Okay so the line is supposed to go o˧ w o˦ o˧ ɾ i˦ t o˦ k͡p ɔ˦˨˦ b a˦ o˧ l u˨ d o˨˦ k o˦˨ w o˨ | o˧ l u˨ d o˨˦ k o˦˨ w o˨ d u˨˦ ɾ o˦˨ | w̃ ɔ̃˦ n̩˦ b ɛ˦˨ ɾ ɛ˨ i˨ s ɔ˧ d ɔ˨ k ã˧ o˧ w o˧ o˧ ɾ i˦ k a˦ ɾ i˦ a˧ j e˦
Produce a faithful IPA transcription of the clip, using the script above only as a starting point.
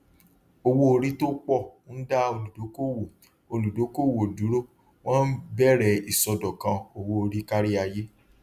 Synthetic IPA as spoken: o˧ w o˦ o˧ ɾ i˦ t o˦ k͡p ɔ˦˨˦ d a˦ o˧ l u˨ d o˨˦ k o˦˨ w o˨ | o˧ l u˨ d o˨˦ k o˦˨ w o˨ d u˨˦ ɾ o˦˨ | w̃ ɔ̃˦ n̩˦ b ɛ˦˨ ɾ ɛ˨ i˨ s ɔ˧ d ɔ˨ k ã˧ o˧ w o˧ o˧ ɾ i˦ k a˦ ɾ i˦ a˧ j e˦